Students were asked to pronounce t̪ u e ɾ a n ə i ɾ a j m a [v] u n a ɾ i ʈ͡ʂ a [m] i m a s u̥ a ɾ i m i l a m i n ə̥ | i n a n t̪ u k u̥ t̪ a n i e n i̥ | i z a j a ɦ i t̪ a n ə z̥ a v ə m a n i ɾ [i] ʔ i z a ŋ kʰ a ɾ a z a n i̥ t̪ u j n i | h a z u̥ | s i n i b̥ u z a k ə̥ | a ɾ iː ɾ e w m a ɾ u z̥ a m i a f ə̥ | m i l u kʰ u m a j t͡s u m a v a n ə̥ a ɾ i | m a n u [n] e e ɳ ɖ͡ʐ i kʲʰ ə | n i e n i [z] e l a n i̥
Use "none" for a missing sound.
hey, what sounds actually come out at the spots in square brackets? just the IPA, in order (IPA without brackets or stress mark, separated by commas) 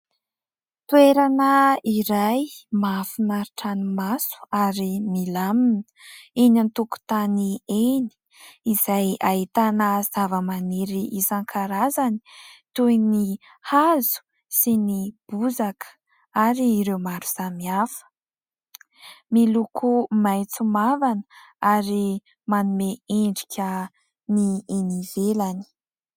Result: f, n, i, m, v